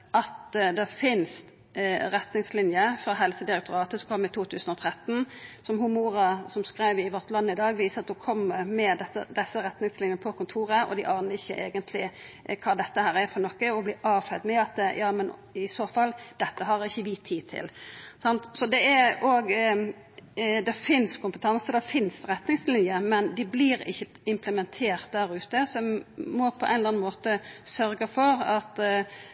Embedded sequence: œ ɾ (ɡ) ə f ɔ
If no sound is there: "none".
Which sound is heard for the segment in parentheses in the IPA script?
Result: ɡ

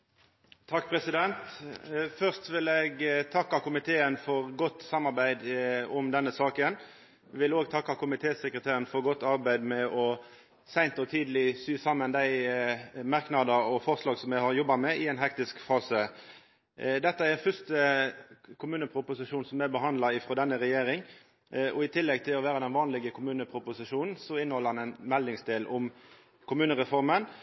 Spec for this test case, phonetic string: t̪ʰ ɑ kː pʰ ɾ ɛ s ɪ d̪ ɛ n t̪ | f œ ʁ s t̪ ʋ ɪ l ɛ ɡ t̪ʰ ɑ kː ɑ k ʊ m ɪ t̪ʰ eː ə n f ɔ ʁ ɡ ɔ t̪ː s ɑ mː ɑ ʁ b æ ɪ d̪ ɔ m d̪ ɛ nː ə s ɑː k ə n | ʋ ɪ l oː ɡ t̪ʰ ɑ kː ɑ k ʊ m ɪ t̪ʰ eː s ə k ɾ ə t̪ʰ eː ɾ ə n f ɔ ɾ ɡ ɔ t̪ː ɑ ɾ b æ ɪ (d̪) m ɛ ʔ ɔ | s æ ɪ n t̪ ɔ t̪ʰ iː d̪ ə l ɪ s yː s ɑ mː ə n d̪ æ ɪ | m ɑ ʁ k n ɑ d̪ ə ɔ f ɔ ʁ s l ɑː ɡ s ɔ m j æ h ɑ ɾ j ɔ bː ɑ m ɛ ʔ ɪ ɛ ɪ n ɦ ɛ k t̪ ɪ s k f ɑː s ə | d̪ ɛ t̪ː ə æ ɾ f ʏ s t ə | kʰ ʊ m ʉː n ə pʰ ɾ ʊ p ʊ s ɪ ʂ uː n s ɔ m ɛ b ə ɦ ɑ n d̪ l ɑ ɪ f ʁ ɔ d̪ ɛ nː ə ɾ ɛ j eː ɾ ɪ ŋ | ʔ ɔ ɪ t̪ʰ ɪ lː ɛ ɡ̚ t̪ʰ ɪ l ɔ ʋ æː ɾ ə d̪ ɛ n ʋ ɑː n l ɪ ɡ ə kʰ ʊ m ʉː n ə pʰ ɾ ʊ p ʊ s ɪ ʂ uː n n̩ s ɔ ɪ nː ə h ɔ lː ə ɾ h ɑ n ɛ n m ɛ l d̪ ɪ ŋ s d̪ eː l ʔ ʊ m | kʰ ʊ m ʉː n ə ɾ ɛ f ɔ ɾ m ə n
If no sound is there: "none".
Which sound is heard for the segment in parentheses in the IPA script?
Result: d̪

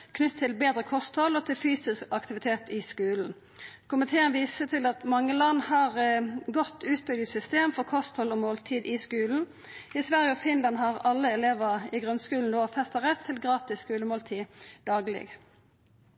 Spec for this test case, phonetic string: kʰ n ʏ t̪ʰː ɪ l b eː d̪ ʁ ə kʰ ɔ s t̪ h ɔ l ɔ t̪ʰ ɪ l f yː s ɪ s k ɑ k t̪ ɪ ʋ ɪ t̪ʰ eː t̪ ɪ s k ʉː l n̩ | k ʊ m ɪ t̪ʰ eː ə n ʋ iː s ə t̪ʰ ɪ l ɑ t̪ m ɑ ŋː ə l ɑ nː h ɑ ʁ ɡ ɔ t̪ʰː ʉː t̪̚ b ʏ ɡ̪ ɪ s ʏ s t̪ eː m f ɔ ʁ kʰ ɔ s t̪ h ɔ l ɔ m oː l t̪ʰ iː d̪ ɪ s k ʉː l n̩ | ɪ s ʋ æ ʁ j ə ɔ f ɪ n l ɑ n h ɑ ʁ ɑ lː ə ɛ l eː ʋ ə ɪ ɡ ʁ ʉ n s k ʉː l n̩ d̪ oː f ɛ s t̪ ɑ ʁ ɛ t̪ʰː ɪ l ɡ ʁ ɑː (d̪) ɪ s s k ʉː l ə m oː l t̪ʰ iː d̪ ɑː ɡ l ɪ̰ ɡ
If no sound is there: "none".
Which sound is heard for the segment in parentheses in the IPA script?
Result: t̪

